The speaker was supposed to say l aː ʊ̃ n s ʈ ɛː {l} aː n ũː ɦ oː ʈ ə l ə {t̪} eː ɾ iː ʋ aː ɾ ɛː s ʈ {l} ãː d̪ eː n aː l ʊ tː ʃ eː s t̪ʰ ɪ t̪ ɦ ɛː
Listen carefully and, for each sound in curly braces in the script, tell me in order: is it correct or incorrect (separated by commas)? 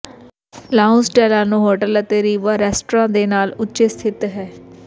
correct, correct, incorrect